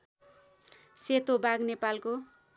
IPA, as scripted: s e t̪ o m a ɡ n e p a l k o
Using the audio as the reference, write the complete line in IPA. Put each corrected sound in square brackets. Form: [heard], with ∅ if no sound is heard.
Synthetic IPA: s e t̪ o [b] a ɡ n e p a l k o